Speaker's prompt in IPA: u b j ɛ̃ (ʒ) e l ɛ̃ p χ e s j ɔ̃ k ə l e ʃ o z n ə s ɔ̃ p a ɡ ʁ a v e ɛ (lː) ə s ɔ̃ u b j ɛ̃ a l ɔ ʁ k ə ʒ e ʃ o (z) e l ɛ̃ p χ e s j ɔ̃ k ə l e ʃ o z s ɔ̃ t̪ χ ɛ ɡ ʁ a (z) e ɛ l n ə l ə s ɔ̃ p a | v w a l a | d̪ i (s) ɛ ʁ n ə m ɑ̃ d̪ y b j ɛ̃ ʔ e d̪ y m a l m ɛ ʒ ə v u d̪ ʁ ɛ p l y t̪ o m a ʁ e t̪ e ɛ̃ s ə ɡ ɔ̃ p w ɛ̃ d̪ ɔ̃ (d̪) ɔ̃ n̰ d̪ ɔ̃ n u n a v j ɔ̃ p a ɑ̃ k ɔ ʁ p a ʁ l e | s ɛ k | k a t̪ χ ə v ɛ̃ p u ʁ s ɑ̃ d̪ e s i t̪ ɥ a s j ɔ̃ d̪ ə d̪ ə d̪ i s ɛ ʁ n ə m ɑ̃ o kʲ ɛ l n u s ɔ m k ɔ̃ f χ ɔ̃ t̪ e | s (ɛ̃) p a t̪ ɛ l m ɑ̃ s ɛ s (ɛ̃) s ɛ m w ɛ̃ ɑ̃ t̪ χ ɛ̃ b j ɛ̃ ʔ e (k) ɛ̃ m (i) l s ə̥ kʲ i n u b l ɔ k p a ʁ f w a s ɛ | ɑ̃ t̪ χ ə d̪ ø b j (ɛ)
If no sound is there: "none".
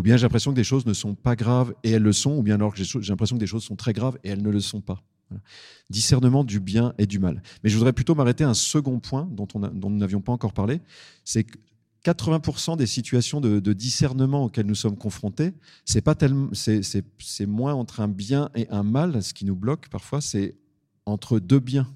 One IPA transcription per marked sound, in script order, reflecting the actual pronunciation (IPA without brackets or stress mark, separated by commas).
ʒ, lː, ʒ, v, s, t̪, ɛ, ɛ, ʔ, a, ɛ̃